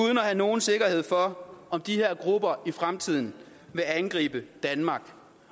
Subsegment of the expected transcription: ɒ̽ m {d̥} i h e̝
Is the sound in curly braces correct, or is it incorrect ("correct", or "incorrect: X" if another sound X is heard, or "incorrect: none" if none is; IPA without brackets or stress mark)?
correct